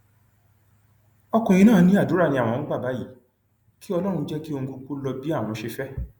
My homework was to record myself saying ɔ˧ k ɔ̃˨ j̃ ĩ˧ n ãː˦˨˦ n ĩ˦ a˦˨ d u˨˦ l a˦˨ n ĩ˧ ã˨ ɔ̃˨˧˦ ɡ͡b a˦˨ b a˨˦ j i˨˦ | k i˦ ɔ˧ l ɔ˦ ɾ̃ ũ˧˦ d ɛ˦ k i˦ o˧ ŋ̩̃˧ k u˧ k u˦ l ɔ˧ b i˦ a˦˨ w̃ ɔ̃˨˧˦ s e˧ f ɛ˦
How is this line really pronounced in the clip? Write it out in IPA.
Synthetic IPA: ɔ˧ k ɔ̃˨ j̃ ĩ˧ n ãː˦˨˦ n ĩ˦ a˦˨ d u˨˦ ɾ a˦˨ n ĩ˧ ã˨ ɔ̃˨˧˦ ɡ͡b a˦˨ b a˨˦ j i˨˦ | k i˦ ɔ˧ l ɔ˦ ɾ̃ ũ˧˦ d͡ʒ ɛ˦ k i˦ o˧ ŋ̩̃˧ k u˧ k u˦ l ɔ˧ b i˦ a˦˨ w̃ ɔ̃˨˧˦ ʃ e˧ f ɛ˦